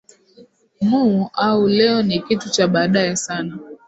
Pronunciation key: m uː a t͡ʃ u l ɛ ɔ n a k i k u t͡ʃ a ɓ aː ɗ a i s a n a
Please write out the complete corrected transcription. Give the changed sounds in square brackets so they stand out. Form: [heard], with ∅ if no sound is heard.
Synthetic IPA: m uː a [∅] u l ɛ ɔ n [i] k i [t] u t͡ʃ a ɓ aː ɗ a [ɛ] s a n a

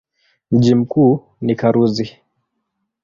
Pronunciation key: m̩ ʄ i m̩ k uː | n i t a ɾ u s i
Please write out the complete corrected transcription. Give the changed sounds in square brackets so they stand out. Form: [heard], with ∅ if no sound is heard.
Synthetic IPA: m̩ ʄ i m̩ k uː | n i [k] a ɾ u [z] i

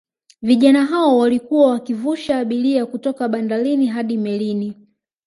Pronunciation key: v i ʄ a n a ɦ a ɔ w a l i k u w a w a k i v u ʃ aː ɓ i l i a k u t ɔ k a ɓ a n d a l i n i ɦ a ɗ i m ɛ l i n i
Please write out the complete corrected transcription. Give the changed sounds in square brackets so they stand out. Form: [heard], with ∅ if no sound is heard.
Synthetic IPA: v i ʄ a n a ɦ a ɔ w a l i k u w a w a k i v u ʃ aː ɓ i l i a k u t ɔ k a ɓ a n d a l i n i ɦ a ɗ i m ɛ l i n i

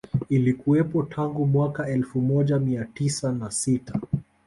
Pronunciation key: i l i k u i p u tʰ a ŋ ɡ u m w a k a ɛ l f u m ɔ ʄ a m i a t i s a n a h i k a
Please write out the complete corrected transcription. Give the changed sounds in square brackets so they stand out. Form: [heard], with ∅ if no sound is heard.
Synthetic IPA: i l i k u [ɛ] p [ɔ] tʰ a ŋ ɡ u m w a k a ɛ l f u m ɔ ʄ a m i a t i s a n a [s] i [t] a

